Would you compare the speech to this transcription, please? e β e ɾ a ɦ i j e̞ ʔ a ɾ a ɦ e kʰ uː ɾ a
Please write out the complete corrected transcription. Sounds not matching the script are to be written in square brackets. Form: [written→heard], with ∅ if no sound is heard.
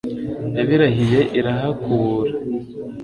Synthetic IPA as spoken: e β [e→i] ɾ a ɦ i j e̞ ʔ [a→i] ɾ a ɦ [e→a] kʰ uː ɾ a